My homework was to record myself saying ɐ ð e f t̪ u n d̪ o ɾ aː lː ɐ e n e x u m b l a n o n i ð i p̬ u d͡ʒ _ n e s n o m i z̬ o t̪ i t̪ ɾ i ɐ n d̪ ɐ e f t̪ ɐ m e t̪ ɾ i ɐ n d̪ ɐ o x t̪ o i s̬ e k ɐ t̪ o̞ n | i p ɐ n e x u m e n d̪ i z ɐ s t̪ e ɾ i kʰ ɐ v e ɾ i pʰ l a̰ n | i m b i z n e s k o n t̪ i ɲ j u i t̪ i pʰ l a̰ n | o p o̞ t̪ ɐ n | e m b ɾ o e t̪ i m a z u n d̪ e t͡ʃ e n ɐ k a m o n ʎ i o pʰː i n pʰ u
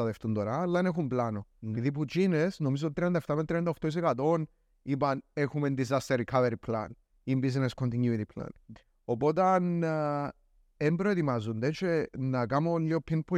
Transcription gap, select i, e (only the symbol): i